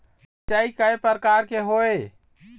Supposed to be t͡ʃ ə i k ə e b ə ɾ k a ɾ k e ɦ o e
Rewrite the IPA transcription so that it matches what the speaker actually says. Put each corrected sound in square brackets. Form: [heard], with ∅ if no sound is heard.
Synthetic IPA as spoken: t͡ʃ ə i k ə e [p] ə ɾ k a ɾ k e ɦ o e